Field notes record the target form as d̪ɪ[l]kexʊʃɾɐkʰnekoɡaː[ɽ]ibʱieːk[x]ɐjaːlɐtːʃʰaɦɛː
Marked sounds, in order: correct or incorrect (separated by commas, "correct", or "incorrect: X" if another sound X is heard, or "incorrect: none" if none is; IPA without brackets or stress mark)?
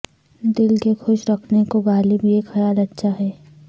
correct, incorrect: l, correct